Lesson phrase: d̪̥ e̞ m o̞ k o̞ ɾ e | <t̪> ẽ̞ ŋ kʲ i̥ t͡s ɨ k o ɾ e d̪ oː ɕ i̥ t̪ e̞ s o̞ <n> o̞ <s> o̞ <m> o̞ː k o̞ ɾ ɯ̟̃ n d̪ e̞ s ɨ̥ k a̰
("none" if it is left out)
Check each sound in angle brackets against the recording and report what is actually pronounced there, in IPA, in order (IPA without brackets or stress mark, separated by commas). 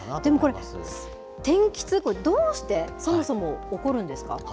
t̪, m, s, m